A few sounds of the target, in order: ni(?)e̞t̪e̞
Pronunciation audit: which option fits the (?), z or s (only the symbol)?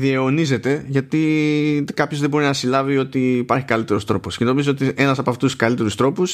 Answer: z